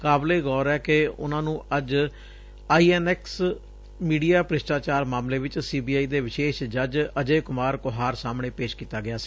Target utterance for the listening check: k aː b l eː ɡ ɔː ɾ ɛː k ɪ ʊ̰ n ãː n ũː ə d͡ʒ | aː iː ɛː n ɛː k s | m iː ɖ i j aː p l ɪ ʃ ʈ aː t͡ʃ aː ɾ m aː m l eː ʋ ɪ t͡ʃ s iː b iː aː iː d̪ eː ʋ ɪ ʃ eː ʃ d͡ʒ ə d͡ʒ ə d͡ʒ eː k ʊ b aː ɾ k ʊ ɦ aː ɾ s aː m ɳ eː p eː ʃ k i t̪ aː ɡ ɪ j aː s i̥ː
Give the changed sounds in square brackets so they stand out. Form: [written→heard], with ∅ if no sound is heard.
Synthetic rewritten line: k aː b l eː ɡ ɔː ɾ ɛː k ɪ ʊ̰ n ãː n ũː ə d͡ʒ | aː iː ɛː n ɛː k s | m iː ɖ i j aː p [l→ɾ] ɪ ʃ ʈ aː t͡ʃ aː ɾ m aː m l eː ʋ ɪ t͡ʃ s iː b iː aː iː d̪ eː ʋ ɪ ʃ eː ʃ d͡ʒ ə d͡ʒ ə d͡ʒ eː k ʊ [b→m] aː ɾ k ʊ ɦ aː ɾ s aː m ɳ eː p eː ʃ k [i→iː] t̪ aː ɡ ɪ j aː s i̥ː

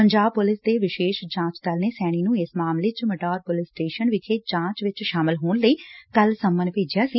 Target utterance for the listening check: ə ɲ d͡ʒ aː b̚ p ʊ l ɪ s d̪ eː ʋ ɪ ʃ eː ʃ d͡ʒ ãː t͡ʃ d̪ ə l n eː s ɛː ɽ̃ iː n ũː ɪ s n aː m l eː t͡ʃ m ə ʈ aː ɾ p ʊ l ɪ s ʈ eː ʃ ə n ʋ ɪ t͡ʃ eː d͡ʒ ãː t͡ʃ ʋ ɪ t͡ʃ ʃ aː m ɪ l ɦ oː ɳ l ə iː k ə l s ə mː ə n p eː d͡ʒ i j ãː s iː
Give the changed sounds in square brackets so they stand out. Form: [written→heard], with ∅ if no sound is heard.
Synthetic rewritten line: ə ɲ d͡ʒ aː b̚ p ʊ l ɪ s d̪ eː ʋ ɪ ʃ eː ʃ d͡ʒ ãː t͡ʃ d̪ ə l n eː s ɛː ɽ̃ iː n ũː ɪ s [n→m] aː m l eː t͡ʃ m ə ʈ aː ɾ p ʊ l ɪ s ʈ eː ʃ ə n ʋ ɪ t͡ʃ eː d͡ʒ ãː t͡ʃ ʋ ɪ t͡ʃ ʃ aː m ɪ l ɦ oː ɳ l ə iː k ə l s ə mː ə n p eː d͡ʒ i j [ãː→aː] s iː

